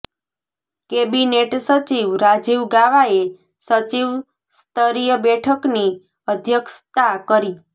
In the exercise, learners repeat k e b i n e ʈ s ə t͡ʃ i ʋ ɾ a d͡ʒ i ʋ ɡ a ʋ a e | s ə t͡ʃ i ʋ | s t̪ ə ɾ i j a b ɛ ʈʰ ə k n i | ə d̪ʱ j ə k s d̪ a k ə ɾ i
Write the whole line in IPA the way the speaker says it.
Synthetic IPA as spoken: k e b i n e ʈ s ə t͡ʃ i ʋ ɾ a d͡ʒ i ʋ ɡ a ʋ a e | s ə t͡ʃ i ʋ | s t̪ ə ɾ i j ə b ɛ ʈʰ ə k n i | ə d̪ʱ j ə k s t̪ a k ə ɾ i